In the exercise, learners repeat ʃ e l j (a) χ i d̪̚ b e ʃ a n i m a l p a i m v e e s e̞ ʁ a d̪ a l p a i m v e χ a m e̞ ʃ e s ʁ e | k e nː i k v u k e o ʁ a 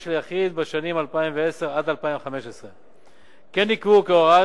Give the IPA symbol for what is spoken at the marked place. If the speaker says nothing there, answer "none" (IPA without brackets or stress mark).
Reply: a